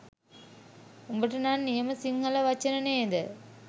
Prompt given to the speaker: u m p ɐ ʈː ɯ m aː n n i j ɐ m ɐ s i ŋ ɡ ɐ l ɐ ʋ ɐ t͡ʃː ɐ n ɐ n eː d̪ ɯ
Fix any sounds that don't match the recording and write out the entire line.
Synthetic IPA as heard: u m b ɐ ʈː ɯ n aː n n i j ɐ m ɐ s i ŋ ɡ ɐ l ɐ ʋ ɐ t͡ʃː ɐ n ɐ n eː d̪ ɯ